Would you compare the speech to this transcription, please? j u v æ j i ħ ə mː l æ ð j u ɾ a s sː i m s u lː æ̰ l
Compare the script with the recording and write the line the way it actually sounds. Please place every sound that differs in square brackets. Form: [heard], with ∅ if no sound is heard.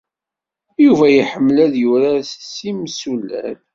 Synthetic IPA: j u v æ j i ħ ə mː l æ ð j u ɾ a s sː i m s u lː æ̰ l